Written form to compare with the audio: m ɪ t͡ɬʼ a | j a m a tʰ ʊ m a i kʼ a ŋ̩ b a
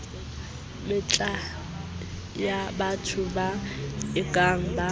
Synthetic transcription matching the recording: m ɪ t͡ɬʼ a | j a b a tʰ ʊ b a ɪ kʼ a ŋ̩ b a